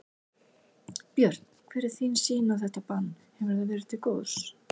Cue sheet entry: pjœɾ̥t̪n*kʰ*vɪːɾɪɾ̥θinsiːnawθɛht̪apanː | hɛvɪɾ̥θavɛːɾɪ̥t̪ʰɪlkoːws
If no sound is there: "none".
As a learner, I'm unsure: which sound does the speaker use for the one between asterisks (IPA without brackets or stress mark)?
kʰ